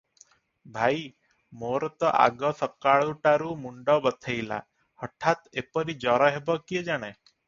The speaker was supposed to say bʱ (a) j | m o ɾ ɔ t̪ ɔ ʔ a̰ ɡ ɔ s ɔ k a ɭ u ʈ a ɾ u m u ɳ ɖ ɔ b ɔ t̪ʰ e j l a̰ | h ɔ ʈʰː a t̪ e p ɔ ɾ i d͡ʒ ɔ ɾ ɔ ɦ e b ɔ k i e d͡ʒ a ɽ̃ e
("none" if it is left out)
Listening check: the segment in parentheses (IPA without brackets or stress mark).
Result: a